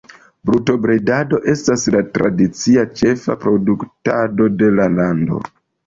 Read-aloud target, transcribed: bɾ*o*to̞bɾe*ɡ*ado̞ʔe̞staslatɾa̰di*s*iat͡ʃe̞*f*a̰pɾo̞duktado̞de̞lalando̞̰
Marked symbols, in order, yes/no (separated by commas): no, no, no, yes